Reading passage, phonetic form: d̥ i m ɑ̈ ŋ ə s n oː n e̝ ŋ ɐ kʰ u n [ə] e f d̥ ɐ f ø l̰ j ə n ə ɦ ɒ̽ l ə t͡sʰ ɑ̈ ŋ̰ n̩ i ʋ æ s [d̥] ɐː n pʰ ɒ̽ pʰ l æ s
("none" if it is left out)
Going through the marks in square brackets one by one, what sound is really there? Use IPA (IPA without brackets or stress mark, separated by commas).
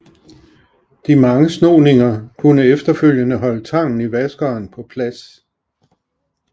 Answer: ə, ɡ̥